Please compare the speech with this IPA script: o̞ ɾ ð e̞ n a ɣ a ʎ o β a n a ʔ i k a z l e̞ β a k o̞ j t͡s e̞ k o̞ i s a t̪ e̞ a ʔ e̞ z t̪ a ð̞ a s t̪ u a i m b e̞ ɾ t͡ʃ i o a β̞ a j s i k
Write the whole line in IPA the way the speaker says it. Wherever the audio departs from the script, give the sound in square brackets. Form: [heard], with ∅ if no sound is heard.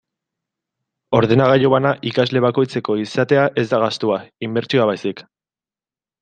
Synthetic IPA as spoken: o̞ ɾ ð e̞ n a ɣ a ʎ o β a n a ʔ i k a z l e̞ β a k o̞ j t͡s e̞ k o̞ i s a t̪ e̞ a ʔ e̞ z [d̪] a [ɣ̞] a s t̪ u a i m b e̞ ɾ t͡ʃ i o a β̞ a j s i k